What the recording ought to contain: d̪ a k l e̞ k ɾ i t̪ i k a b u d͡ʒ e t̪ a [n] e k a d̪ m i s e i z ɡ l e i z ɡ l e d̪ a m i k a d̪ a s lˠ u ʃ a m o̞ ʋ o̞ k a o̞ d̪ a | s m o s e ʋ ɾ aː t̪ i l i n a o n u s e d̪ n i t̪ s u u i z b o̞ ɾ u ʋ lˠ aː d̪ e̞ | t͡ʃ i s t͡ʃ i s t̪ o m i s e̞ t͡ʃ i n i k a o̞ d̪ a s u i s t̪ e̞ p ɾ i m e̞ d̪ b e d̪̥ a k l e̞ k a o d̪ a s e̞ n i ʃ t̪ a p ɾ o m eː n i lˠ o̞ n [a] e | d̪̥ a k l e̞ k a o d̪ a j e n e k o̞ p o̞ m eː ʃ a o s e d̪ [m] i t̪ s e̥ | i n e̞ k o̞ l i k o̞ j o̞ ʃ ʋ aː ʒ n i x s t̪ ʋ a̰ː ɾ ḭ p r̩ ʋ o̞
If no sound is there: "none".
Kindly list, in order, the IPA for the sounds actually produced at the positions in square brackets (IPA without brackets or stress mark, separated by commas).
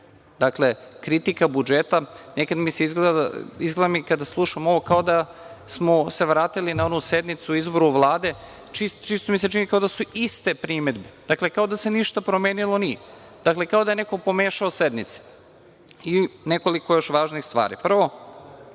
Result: n, i, n